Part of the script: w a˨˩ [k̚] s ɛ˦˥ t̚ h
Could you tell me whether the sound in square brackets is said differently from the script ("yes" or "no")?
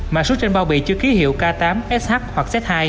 no